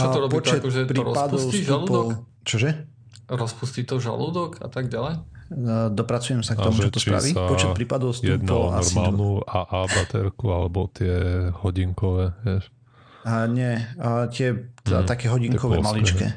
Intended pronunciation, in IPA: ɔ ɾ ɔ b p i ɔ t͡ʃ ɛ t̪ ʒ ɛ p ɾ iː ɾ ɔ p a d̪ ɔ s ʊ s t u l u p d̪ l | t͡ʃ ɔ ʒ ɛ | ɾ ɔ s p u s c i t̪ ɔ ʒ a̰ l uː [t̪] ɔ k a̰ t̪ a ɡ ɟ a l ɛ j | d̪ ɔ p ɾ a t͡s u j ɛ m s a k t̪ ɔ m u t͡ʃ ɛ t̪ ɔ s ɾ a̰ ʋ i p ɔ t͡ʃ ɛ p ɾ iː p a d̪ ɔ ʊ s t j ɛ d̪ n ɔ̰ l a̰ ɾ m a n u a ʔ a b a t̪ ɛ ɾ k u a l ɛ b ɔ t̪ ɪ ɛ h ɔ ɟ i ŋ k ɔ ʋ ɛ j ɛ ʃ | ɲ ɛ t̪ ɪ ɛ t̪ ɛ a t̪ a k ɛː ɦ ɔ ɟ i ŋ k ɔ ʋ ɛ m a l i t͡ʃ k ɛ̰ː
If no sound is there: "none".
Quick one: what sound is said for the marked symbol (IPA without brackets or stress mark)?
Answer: d̪